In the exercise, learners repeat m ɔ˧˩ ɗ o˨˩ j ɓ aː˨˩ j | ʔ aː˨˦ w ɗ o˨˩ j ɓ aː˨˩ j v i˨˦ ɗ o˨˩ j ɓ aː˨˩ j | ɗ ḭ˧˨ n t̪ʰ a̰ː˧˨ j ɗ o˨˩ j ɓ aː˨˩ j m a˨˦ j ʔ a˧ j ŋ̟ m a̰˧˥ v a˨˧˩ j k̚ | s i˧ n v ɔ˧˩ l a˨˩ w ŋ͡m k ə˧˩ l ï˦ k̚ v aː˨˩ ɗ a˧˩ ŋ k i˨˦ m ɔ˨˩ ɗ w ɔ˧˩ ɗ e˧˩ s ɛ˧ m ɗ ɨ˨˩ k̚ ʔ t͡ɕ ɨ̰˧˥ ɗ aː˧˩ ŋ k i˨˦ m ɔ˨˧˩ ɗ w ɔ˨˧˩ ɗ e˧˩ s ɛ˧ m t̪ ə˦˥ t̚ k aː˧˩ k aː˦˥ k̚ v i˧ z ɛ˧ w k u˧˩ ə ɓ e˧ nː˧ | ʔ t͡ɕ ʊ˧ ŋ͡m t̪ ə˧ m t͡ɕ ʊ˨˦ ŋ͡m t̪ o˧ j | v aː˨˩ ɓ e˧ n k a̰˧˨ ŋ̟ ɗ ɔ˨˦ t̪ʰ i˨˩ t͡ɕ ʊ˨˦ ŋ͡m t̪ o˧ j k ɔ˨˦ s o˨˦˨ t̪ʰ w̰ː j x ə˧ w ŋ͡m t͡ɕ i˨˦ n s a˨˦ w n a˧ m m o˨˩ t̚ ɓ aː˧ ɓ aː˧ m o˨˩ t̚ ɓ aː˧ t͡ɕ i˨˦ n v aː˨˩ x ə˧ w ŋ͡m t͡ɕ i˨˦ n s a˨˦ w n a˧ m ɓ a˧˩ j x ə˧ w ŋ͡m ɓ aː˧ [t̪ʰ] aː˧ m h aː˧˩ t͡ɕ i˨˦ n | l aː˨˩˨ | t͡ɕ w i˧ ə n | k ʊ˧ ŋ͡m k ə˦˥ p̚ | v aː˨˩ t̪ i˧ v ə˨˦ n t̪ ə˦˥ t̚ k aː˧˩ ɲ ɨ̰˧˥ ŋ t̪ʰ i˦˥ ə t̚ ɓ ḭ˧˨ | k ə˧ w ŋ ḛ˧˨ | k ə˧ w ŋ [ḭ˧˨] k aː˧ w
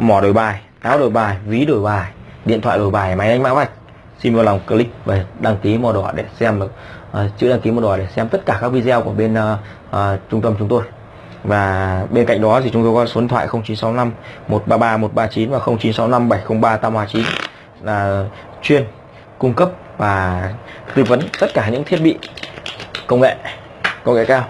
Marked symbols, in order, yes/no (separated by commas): no, no